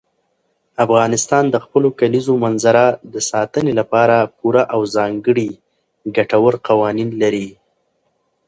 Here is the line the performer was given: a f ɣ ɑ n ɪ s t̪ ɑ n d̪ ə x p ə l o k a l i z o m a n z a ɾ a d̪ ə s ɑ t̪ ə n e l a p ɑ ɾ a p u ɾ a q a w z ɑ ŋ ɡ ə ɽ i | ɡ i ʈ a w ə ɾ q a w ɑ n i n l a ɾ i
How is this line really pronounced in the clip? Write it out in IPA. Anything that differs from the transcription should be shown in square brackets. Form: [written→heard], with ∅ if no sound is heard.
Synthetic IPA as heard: a f ɣ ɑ n ɪ s t̪ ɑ n d̪ ə x p ə l o k a l i z o m a n z a ɾ a d̪ ə s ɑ t̪ ə n e l a p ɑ ɾ a p u ɾ a [q→ʔ] a w z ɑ ŋ ɡ ə ɽ i | ɡ [i→a] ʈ a w ə ɾ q a w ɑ n i n l a ɾ i

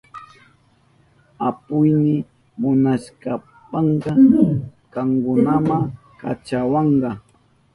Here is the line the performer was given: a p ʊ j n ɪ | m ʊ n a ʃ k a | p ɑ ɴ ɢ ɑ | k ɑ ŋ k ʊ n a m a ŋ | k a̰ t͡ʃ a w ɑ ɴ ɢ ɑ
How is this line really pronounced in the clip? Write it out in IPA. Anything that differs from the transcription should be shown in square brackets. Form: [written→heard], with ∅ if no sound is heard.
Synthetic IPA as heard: a p ʊ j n ɪ | m ʊ n a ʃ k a | p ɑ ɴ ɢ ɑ | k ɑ ŋ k ʊ n a m a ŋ | k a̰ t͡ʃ a w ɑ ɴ ɢ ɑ

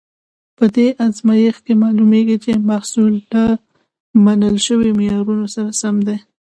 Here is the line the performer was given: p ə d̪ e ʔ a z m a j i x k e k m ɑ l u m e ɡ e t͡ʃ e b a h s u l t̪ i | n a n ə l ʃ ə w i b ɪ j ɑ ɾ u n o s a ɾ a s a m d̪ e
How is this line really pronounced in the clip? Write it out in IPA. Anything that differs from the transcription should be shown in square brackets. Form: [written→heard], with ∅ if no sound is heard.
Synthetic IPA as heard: p ə d̪ e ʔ a z m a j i x k e [k→∅] m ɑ l u m e ɡ [e→i] t͡ʃ e [b→m] a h s u l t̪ [i→a] | [n→m] a n ə l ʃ ə w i [b→m] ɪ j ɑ ɾ u n o s a ɾ a s a m d̪ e

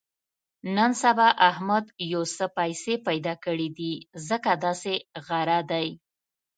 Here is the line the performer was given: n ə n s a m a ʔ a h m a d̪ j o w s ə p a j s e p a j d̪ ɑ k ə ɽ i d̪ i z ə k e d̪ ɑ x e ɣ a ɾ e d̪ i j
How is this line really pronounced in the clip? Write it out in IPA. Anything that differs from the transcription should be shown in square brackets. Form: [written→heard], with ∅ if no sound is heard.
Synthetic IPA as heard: n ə n s a [m→b] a ʔ a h m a d̪ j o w s ə p a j s e p a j d̪ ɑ k ə ɽ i d̪ i z ə k [e→a] d̪ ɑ [x→s] e ɣ a ɾ [e→a] d̪ [i→a] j

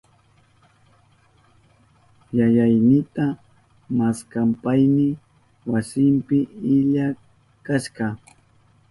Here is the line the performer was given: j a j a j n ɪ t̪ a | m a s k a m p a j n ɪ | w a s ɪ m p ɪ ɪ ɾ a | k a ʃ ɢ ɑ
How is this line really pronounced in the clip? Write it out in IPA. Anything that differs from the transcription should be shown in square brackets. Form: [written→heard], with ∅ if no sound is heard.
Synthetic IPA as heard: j a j a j n ɪ t̪ a | m a s k a m p a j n ɪ | w a s ɪ m p ɪ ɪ [ɾ→ʎ] a | k a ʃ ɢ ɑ

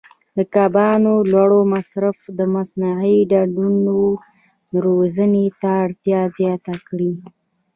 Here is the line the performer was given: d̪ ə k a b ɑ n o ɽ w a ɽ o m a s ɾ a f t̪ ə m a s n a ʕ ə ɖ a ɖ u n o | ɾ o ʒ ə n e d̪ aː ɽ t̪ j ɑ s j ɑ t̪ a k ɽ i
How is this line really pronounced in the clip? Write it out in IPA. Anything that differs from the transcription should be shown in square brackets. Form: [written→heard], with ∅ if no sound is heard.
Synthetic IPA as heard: d̪ ə k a b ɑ n o [ɽ→l] w a ɽ o m a s ɾ a f [t̪→d̪] ə m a s n a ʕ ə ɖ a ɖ u n o | ɾ o [ʒ→z] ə n e [d̪→t̪] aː ɽ t̪ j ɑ [s→z] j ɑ t̪ a k ɽ i

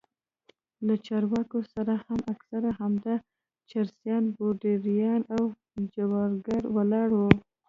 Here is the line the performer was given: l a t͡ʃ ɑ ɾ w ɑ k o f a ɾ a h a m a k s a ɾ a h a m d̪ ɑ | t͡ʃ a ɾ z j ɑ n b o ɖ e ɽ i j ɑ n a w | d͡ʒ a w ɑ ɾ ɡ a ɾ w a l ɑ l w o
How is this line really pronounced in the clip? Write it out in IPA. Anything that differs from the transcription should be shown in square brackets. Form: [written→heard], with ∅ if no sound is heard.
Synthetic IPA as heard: l a t͡ʃ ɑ ɾ w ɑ k o [f→s] a ɾ a h a m a k s a ɾ a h a m d̪ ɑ | t͡ʃ a ɾ [z→s] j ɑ n b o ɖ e [ɽ→ɾ] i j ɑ n a w | d͡ʒ a w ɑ ɾ ɡ a ɾ w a l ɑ [l→ɽ] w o

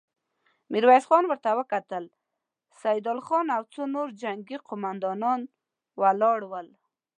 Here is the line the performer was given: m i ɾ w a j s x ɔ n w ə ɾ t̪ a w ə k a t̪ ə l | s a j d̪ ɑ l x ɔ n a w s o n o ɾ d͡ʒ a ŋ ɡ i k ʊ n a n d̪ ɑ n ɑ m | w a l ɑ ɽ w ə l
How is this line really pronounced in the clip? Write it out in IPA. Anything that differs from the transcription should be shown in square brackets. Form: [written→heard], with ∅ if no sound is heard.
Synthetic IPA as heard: m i ɾ w a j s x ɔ n w ə ɾ t̪ a w ə k a t̪ ə l | s a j d̪ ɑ l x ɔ n a w [s→t͡s] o n o ɾ d͡ʒ a ŋ ɡ i [k→q] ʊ [n→m] a n d̪ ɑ n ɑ [m→n] | w a l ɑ ɽ w ə l

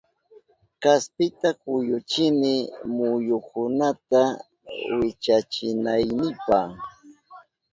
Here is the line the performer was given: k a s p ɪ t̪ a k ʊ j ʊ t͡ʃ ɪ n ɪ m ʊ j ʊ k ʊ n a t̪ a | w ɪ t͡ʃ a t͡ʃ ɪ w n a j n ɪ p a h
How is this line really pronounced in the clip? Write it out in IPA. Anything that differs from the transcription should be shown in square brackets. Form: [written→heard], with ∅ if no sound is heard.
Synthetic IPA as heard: k a s p ɪ t̪ a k ʊ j ʊ t͡ʃ ɪ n ɪ m ʊ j ʊ k ʊ n a t̪ a | w ɪ t͡ʃ a t͡ʃ ɪ [w→∅] n a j n ɪ p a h

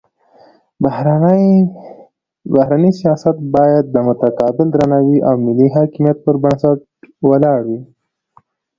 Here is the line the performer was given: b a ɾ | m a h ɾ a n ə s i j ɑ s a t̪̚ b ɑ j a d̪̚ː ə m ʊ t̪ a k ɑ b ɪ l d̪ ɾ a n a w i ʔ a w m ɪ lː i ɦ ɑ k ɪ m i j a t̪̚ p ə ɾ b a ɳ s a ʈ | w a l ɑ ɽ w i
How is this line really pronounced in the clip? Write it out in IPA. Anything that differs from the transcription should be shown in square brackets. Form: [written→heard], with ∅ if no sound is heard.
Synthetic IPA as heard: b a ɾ | [m→b] a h ɾ a n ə s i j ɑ s a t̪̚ b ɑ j a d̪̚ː ə m ʊ t̪ a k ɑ b ɪ l d̪ ɾ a n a w i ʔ a w m ɪ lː i ɦ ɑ k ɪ m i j a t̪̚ p ə ɾ b a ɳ s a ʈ | w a l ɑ ɽ w i

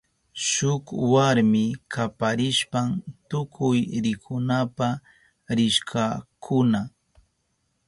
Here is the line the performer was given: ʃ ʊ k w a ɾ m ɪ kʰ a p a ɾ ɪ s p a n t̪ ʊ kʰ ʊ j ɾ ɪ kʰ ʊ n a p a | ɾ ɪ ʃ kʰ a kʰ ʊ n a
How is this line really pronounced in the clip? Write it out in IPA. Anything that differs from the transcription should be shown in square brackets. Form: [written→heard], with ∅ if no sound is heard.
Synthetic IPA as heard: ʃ ʊ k w a ɾ m ɪ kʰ a p a ɾ ɪ [s→ʃ] p a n t̪ ʊ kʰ ʊ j ɾ ɪ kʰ ʊ n a p a | ɾ ɪ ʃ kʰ a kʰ ʊ n a

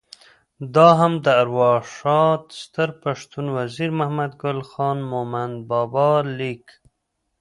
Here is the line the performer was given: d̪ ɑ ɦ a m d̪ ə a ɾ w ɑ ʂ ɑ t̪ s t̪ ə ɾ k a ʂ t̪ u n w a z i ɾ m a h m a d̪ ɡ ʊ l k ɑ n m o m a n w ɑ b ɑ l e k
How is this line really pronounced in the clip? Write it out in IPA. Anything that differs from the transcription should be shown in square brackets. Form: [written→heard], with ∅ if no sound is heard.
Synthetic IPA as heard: d̪ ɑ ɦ a m d̪ ə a ɾ w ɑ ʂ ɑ t̪ s t̪ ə ɾ [k→p] a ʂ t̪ u n w a z i ɾ m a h m a d̪ ɡ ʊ l [k→x] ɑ n m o m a n [w→b] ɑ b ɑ l [e→i] k

